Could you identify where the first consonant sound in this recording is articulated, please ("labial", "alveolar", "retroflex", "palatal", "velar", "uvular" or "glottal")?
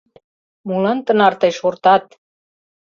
labial